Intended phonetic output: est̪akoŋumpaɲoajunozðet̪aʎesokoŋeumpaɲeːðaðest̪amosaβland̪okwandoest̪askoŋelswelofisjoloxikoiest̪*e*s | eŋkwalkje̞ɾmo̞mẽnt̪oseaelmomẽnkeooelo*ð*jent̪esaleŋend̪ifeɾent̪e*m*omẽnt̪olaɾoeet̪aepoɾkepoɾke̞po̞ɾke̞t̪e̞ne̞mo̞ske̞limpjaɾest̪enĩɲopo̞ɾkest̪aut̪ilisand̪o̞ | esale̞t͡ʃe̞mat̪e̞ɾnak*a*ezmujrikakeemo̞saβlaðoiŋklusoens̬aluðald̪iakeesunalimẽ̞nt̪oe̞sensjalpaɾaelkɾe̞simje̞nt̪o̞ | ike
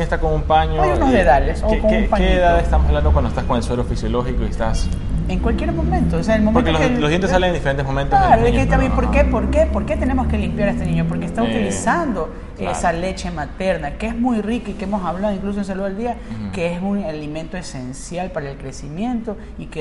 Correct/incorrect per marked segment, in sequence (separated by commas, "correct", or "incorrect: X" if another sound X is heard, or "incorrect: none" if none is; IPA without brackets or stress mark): incorrect: a, correct, correct, incorrect: e